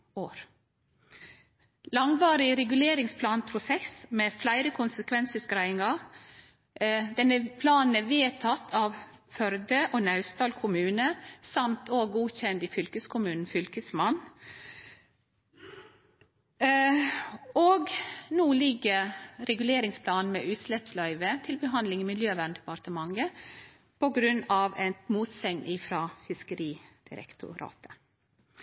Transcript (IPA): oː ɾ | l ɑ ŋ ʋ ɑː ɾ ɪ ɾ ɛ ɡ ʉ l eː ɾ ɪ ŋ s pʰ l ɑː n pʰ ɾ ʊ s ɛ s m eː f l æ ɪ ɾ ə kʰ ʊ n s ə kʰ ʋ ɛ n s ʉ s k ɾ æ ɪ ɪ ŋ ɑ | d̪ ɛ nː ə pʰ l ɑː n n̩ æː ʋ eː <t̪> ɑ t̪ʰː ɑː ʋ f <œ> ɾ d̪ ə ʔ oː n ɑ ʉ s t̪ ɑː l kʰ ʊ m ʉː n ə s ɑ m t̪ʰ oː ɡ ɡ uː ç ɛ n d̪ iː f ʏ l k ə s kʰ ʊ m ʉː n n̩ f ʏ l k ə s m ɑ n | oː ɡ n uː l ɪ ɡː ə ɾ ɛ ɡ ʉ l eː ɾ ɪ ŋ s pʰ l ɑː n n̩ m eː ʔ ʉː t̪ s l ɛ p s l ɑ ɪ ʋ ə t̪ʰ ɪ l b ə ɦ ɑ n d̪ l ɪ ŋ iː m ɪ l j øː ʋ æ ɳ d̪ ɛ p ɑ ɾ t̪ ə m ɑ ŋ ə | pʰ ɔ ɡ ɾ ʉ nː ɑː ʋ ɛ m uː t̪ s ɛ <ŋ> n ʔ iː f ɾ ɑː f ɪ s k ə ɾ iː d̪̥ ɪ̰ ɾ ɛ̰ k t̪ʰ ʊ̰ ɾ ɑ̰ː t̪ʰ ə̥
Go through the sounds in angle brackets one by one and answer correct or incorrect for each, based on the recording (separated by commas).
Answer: incorrect, correct, correct